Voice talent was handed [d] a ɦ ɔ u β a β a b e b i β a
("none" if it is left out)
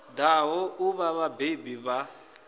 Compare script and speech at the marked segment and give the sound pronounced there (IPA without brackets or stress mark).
d